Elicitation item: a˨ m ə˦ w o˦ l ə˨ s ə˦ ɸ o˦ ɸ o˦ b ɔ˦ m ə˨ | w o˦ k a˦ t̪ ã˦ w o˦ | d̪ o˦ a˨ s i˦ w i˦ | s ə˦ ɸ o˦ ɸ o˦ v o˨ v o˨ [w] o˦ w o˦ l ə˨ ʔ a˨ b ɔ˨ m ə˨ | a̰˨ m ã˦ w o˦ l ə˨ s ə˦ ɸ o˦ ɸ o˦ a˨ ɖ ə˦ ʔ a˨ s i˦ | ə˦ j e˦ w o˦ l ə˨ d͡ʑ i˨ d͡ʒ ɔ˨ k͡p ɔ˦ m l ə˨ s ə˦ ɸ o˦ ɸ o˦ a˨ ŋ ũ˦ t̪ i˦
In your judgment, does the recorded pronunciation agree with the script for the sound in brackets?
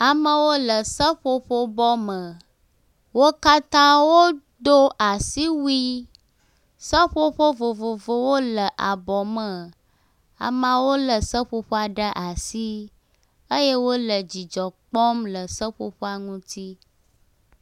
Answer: no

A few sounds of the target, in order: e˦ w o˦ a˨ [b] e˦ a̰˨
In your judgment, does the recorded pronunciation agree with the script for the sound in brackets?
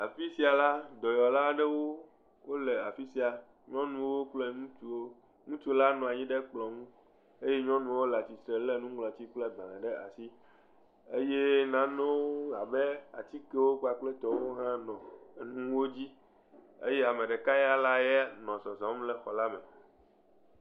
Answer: yes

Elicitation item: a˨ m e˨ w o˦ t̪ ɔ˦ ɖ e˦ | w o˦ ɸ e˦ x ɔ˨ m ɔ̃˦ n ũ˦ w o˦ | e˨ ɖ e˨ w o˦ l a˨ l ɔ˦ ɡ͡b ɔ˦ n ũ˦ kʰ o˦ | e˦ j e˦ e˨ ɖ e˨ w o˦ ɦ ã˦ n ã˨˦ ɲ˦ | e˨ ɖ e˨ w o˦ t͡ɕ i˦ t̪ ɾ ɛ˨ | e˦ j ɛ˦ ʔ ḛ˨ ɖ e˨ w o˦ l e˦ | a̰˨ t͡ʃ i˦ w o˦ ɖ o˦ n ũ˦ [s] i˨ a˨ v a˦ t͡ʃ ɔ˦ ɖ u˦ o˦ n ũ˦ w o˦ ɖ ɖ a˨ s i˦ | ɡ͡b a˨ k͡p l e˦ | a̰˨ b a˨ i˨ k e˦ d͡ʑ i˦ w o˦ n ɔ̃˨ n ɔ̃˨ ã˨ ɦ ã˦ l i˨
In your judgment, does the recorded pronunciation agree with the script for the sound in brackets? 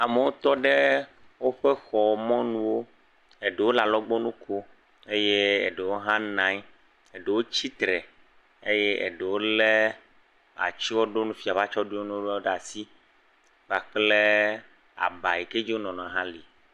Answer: no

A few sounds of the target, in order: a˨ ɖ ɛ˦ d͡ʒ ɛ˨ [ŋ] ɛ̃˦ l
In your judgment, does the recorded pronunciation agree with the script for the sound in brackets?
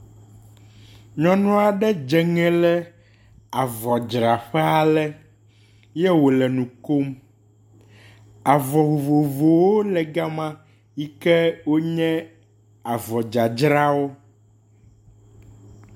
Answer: yes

